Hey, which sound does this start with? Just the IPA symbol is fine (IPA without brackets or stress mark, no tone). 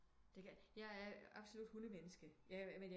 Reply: d̥